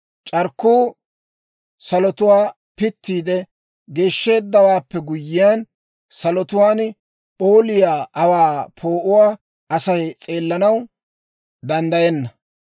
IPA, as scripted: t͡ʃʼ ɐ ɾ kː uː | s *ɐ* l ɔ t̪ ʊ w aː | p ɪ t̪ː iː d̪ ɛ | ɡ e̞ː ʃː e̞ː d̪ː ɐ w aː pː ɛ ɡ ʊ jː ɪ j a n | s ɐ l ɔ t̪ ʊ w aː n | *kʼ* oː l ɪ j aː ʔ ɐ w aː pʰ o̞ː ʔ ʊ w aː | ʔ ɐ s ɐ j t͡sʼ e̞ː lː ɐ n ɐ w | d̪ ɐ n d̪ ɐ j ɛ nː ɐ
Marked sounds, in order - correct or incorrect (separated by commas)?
correct, incorrect